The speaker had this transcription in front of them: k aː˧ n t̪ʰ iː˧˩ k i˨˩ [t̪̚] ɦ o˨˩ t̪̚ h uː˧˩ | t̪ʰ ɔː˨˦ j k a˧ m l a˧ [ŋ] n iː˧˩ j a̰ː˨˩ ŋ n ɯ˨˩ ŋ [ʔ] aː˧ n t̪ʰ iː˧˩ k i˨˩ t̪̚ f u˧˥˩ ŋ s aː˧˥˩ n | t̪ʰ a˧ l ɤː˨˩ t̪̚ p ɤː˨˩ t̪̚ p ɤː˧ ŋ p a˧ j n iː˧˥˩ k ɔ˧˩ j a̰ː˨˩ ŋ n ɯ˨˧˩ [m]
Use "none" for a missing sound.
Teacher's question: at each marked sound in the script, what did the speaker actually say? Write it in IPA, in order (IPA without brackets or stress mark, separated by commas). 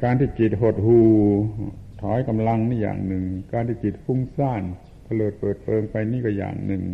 t̪̚, ŋ, k, ŋ